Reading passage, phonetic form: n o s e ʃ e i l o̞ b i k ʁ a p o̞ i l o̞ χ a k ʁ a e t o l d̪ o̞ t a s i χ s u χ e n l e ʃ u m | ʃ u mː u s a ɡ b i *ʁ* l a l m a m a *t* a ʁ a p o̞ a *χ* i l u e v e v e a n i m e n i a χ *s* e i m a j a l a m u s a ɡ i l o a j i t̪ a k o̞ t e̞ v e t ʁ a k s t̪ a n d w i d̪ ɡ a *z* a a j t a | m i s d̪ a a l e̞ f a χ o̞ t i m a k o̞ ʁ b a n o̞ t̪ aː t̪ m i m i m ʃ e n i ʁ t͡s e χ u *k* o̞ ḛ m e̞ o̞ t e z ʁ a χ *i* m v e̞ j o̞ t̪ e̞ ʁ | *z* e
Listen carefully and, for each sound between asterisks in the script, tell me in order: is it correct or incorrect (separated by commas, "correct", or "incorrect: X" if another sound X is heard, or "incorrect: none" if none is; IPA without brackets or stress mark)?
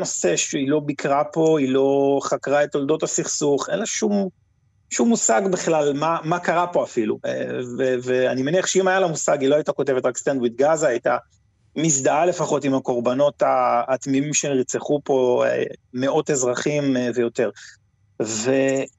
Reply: incorrect: χ, incorrect: k, incorrect: f, incorrect: ʃ, correct, incorrect: p, correct, incorrect: v